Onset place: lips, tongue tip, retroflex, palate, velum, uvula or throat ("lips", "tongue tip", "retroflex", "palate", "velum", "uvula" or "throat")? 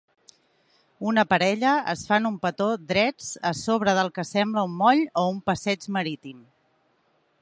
tongue tip